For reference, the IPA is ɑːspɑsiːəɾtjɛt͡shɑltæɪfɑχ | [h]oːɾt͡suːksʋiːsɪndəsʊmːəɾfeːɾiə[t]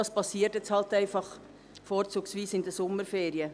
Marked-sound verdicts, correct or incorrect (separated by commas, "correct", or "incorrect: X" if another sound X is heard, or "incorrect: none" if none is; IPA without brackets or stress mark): incorrect: f, incorrect: none